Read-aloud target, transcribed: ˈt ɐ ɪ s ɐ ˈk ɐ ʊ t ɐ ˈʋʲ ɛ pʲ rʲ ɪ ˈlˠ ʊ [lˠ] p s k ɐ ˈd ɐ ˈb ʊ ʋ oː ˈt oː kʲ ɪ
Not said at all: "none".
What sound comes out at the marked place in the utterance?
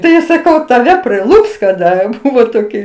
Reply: none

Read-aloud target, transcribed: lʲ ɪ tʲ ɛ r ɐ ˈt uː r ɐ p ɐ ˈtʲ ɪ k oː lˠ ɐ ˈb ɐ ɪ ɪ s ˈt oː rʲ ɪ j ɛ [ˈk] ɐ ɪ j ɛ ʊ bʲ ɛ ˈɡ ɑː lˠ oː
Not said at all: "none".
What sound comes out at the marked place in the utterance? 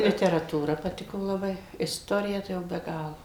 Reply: t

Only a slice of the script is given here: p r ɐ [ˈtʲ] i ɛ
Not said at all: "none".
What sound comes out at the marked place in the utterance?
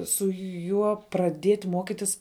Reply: dʲ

